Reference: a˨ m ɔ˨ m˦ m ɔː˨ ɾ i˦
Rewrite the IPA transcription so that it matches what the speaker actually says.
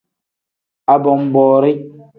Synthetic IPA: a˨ b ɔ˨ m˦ b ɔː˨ ɾ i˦